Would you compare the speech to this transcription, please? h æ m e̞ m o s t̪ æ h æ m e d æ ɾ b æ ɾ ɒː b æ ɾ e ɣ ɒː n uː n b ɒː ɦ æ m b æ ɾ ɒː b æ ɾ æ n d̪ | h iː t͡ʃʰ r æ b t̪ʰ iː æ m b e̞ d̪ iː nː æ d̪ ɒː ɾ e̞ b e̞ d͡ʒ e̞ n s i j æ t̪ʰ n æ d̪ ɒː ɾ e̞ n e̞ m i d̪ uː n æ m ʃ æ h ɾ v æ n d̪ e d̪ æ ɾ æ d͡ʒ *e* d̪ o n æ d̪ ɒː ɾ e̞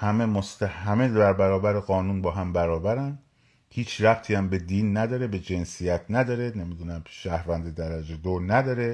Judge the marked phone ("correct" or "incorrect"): correct